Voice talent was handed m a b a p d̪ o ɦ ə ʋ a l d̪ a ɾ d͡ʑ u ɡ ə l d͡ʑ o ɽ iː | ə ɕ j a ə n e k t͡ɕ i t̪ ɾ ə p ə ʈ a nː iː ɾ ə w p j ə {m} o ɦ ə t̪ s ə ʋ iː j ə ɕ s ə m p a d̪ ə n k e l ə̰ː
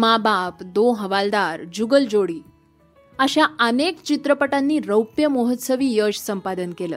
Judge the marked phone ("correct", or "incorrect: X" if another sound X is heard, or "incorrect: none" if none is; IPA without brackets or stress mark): correct